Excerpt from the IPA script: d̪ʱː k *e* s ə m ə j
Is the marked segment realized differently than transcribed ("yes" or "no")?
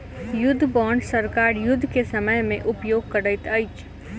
no